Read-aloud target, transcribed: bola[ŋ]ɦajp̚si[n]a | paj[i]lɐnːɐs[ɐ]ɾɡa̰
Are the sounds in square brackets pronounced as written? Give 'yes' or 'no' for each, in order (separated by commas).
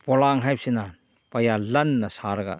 yes, yes, no, no